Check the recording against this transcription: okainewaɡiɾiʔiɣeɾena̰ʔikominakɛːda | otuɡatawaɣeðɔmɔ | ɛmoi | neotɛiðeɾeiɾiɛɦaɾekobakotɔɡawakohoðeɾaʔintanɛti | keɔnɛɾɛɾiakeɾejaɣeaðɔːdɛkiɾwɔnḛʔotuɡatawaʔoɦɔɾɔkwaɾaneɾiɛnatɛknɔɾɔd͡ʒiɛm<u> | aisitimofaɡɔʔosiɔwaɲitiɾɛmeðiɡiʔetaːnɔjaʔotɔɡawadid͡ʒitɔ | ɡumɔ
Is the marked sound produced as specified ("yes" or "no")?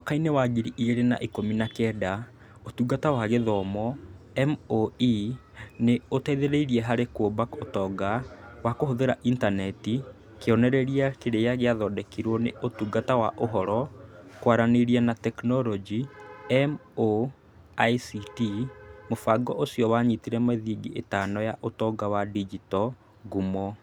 no